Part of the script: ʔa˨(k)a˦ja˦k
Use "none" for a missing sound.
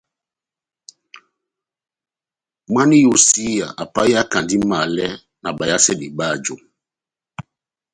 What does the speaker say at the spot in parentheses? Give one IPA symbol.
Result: p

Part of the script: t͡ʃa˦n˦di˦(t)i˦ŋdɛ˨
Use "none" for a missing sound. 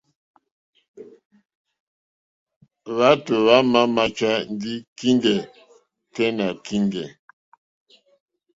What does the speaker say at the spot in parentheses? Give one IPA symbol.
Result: k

